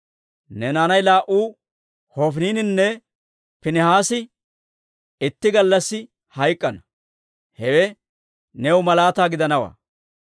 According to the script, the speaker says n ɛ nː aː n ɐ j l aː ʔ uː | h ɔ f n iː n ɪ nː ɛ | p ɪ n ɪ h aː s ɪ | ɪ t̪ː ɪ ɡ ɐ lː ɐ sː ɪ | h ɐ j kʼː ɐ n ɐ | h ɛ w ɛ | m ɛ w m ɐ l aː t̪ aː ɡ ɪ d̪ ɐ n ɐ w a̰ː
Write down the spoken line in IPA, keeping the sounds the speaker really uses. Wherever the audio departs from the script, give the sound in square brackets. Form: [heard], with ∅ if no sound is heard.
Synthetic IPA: n ɛ [n] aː n ɐ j l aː ʔ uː | h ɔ f n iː n ɪ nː ɛ | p ɪ n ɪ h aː s ɪ | ɪ t̪ː ɪ ɡ ɐ lː ɐ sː ɪ | h ɐ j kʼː ɐ n ɐ | h ɛ w ɛ | [n] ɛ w m ɐ l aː t̪ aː ɡ ɪ d̪ ɐ n ɐ w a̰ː